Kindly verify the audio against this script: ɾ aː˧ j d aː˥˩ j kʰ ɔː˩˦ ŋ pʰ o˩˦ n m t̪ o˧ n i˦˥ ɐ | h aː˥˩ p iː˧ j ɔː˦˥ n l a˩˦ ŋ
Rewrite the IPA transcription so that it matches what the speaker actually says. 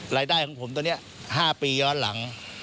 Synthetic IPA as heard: ɾ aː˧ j d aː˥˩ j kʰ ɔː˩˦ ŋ pʰ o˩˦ m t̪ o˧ n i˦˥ ɐ | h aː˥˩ p iː˧ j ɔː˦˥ n l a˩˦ ŋ